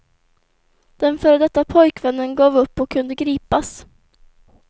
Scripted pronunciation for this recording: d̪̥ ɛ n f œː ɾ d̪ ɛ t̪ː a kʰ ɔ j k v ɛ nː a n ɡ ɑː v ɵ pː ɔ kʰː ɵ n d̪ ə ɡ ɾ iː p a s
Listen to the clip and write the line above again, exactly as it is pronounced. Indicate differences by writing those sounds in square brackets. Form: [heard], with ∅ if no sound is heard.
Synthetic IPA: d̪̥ ɛ n f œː ɾ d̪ ɛ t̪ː a [pʰ] ɔ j k v ɛ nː [ə] n ɡ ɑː v ɵ pː ɔ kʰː ɵ n d̪ ə ɡ ɾ iː p a s